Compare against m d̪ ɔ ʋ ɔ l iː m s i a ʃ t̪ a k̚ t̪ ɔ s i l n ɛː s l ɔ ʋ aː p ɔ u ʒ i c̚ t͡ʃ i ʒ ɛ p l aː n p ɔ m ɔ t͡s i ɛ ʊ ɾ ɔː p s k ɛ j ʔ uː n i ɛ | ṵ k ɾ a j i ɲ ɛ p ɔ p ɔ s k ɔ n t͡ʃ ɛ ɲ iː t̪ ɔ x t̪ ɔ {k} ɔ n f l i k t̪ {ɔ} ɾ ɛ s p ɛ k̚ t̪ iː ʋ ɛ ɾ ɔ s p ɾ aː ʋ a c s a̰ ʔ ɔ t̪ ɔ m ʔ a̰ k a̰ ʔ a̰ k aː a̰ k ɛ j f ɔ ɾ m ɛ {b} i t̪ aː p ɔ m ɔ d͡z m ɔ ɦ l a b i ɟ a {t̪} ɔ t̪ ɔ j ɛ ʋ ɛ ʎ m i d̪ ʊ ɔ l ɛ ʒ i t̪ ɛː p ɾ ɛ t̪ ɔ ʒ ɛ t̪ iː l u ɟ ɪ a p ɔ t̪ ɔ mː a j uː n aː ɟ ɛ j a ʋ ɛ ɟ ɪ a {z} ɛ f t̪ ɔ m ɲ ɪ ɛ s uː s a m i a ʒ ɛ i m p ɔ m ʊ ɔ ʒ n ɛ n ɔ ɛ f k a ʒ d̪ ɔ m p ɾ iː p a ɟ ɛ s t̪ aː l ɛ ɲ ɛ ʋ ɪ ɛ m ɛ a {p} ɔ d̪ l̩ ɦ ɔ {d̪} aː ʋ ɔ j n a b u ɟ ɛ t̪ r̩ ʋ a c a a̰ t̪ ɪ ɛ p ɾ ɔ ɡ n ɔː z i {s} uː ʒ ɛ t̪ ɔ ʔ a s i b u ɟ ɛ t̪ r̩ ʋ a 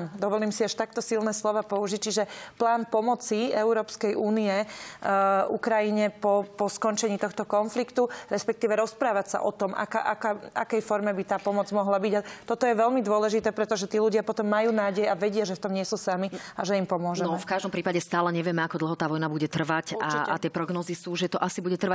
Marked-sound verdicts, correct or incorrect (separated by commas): correct, incorrect, correct, correct, incorrect, incorrect, incorrect, correct